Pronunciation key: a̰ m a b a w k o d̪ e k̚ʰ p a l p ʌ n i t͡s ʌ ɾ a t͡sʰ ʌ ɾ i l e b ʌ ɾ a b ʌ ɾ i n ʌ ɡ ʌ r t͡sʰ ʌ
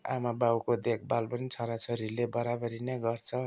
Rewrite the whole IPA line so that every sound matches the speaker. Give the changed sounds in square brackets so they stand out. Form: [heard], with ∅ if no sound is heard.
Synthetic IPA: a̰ m a b a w k o d̪ e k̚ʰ [b] a l p ʌ n i [t͡sʰ] ʌ ɾ a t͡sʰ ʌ ɾ i l e b ʌ ɾ a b ʌ ɾ i n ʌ ɡ ʌ r t͡sʰ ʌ